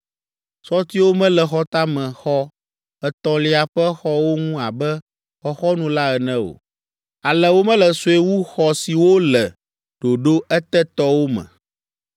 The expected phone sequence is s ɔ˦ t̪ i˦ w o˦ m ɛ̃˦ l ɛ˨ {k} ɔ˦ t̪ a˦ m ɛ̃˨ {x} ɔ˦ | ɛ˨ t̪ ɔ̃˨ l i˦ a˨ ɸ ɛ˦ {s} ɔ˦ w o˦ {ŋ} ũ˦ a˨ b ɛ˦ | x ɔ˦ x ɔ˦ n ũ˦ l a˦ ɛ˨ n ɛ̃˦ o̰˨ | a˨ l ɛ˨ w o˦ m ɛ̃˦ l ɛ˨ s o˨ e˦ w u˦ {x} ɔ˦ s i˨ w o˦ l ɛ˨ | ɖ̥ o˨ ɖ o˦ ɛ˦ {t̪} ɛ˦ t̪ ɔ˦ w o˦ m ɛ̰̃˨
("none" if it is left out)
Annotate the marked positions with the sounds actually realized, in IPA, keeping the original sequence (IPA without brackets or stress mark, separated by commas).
x, x, x, ŋ, x, t̪